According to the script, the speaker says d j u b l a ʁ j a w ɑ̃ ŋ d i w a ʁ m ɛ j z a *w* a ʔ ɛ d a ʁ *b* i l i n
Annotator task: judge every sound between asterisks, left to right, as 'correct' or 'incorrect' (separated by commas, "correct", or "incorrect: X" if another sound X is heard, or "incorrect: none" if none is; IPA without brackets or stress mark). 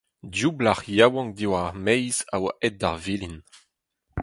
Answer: correct, incorrect: v